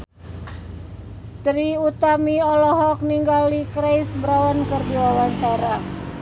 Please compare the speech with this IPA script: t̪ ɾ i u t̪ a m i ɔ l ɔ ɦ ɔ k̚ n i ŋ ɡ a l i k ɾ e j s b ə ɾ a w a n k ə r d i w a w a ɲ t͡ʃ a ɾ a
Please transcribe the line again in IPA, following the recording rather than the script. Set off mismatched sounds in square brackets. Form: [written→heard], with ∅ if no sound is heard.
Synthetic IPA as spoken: t̪ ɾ i u t̪ a m i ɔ l ɔ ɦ ɔ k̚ n i ŋ ɡ a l i k ɾ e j s b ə ɾ a w a n k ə r d i w a w a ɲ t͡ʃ a ɾ a